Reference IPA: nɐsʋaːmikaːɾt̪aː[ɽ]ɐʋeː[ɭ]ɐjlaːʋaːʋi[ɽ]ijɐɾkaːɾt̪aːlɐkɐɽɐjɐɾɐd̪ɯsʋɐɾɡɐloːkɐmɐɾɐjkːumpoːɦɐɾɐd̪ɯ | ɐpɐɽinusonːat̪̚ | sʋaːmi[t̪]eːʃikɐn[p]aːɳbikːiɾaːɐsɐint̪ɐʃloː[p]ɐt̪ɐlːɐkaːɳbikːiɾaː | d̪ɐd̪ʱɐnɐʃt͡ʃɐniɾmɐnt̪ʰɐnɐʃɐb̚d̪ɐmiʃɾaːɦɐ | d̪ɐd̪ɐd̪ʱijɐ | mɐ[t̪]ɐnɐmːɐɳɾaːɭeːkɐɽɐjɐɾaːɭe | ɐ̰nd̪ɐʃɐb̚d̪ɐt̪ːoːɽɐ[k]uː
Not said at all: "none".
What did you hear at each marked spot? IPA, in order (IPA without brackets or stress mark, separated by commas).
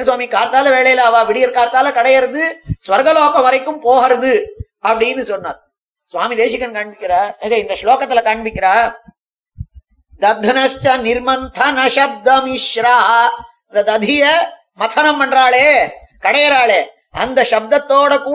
l, ɭ, ɽ, d̪, k, k, t̪ʰ, k